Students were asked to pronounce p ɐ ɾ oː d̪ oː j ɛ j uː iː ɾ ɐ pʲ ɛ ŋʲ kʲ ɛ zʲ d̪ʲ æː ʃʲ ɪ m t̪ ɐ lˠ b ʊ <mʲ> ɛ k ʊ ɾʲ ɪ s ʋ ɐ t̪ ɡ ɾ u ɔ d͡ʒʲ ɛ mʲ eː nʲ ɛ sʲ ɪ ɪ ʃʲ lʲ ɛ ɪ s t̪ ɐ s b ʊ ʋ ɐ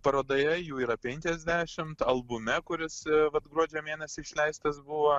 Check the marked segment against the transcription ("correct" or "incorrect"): correct